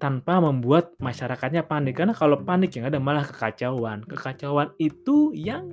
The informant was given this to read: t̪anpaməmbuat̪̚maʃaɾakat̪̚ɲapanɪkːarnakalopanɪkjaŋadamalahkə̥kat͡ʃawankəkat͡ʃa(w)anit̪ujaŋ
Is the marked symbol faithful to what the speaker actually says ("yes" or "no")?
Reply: yes